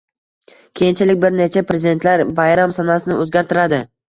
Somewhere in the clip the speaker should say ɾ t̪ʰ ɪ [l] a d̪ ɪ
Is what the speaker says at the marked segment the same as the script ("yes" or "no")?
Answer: no